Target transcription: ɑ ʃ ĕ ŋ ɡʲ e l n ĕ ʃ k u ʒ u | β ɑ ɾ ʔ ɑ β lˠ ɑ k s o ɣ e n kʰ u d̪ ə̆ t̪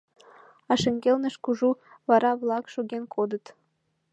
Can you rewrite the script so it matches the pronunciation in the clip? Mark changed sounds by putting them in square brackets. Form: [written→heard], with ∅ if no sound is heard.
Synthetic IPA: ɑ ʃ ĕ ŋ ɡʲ e l n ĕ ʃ k u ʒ u | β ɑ ɾ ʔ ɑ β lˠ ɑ k [s→ʃ] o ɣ e n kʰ [u→o] d̪ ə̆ t̪